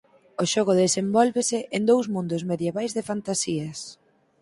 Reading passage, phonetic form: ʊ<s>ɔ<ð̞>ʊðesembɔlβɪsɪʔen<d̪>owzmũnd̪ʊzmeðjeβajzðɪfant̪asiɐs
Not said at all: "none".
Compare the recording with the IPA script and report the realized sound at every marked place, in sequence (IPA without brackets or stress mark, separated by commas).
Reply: ʃ, ɣ̞, d̪